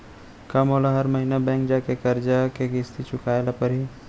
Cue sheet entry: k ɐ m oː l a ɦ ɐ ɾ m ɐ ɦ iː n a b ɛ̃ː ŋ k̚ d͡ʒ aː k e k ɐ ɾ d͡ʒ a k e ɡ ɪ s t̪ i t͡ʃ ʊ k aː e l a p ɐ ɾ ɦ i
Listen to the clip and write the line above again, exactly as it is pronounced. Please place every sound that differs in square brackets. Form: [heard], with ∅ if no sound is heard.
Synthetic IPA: k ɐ m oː l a ɦ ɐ ɾ m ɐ ɦ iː n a b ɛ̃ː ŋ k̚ d͡ʒ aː k e k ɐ ɾ d͡ʒ a k e ɡ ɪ s t̪ i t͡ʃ ʊ k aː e l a p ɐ ɾ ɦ i